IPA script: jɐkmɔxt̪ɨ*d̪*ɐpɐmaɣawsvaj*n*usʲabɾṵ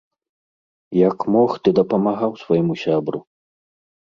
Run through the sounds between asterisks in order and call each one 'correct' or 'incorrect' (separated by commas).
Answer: correct, incorrect